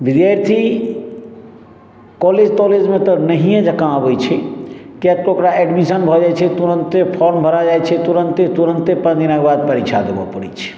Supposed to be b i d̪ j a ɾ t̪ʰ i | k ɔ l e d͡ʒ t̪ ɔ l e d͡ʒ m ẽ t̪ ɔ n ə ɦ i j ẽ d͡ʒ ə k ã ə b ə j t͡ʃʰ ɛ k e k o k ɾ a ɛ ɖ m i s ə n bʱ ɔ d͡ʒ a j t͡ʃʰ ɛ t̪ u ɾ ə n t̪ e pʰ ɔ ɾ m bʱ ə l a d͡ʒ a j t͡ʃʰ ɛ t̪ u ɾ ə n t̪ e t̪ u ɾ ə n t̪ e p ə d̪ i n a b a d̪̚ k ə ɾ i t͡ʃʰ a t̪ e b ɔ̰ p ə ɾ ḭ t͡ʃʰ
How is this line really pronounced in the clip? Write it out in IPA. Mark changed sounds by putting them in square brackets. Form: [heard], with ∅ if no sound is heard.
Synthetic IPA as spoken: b i d̪ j a ɾ t̪ʰ i | k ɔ l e d͡ʒ t̪ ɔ l e d͡ʒ m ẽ t̪ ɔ n ə ɦ i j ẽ d͡ʒ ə k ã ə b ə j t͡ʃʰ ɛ k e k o k ɾ a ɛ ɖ m i s ə n bʱ ɔ d͡ʒ a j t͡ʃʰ ɛ t̪ u ɾ ə n t̪ e pʰ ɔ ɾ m bʱ ə [ɾ] a d͡ʒ a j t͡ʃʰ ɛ t̪ u ɾ ə n t̪ e t̪ u ɾ ə n t̪ e p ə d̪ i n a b a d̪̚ [p] ə ɾ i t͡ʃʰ a [d̪] e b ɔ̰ p ə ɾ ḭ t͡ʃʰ